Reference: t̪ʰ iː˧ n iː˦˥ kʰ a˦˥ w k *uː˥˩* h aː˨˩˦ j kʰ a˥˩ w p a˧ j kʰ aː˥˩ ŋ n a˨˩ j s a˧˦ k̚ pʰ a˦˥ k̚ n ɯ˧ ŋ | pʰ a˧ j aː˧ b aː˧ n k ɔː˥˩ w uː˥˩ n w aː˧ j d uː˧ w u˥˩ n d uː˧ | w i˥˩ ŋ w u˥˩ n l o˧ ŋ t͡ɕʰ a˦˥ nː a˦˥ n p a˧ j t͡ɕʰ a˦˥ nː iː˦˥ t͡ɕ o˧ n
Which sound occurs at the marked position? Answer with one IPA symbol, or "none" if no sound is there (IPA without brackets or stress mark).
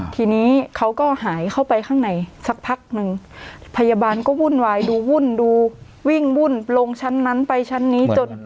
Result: ɔː˥˩